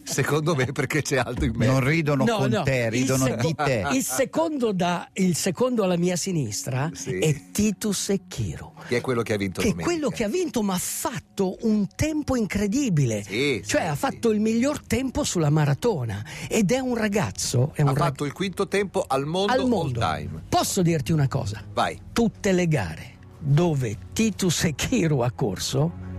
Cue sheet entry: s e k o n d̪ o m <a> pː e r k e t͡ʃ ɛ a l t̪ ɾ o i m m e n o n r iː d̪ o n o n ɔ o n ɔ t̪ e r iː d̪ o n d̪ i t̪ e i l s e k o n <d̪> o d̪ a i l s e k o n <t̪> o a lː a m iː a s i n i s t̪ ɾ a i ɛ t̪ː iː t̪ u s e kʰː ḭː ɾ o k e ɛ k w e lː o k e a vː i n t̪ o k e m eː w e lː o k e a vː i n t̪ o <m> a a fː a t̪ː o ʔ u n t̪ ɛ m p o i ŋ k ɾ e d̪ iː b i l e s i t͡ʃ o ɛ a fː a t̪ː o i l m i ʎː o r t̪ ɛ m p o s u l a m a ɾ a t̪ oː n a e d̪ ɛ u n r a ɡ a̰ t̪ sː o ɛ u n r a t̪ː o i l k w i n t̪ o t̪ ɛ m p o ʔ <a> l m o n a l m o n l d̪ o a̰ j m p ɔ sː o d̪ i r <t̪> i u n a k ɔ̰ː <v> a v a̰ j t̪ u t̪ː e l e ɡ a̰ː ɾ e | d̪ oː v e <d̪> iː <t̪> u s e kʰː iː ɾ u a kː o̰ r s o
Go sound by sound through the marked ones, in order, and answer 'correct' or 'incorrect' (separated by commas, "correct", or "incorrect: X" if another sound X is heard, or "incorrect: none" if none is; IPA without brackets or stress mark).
incorrect: e, correct, incorrect: d̪, correct, correct, correct, incorrect: z, incorrect: t̪, correct